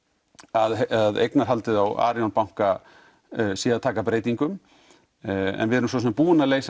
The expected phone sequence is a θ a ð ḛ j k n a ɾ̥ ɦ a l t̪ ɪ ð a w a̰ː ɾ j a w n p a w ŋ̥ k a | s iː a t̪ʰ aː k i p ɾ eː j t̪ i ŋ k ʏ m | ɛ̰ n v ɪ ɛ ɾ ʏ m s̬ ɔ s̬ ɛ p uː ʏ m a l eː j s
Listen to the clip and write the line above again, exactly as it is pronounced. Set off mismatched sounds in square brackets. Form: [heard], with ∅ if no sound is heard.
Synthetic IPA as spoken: a [ð] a ð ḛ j k n a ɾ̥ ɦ a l t̪ ɪ ð a w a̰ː ɾ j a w n p a w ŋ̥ k a | s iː a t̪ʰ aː k [a] p ɾ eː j t̪ i ŋ k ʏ m | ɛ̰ n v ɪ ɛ ɾ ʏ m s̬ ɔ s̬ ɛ p uː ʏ [n] a l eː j s